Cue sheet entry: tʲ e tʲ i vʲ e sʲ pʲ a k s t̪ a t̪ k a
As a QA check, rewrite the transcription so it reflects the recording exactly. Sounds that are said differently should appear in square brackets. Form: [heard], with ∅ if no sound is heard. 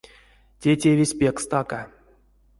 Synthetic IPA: tʲ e tʲ [e] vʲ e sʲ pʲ [e] k s t̪ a [∅] k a